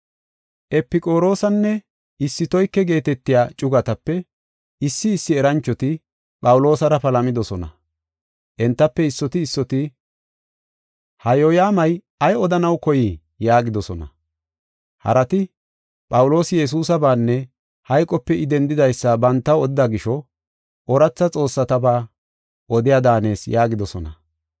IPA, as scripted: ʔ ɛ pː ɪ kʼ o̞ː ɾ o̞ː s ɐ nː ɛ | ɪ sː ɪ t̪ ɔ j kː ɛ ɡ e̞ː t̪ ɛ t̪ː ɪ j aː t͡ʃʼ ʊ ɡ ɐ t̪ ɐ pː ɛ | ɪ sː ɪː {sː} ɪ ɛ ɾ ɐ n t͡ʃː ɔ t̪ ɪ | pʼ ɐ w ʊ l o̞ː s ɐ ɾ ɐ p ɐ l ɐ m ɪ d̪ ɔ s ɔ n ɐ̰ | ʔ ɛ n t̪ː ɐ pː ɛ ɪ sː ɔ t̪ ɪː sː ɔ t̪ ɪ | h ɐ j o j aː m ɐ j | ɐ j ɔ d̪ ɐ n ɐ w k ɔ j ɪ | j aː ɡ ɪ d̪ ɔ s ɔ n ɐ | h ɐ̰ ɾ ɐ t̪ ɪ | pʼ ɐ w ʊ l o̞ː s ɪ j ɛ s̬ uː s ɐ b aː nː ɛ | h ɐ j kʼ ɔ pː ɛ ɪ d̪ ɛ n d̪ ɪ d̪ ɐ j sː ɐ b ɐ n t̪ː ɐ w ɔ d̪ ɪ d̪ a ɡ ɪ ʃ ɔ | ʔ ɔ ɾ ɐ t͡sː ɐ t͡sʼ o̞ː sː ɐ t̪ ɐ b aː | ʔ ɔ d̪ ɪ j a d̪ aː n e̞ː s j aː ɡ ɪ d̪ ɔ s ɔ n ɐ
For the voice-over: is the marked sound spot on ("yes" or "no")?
yes